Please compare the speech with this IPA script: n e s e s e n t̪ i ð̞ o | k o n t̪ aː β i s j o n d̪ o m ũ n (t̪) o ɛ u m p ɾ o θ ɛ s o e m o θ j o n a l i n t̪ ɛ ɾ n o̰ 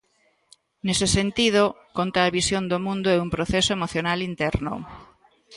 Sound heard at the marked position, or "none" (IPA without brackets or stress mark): d̪